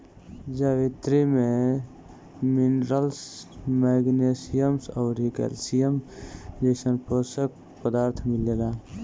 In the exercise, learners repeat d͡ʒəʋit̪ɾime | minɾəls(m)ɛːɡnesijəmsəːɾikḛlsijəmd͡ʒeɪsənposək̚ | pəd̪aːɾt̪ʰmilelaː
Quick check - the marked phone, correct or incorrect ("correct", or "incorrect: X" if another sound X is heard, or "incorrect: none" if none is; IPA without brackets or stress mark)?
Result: correct